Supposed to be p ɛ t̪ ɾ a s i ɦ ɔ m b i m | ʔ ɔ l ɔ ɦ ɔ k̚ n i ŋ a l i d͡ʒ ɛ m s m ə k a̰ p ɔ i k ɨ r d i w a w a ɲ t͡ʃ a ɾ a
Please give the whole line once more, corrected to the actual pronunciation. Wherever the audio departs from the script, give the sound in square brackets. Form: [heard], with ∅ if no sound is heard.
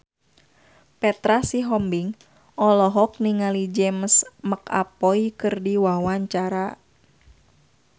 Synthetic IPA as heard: p ɛ t̪ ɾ a s i ɦ ɔ m b i [ŋ] | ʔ ɔ l ɔ ɦ ɔ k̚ n i ŋ a l i d͡ʒ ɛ m s m ə k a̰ p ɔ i k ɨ r d i w a w a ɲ t͡ʃ a ɾ a